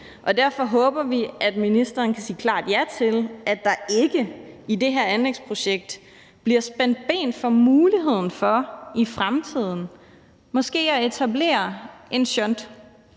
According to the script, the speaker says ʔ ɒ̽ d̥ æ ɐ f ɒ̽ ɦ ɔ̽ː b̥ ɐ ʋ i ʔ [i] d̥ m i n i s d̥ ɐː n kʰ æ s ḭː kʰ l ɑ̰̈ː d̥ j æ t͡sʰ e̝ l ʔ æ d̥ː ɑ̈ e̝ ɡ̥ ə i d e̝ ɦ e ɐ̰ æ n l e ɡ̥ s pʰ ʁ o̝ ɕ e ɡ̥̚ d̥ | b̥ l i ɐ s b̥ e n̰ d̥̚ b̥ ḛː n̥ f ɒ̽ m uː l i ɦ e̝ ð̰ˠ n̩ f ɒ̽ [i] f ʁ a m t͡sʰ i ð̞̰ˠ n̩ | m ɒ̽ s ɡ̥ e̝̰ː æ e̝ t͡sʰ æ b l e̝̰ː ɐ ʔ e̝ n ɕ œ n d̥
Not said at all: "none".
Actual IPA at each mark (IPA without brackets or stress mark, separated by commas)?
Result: æ, i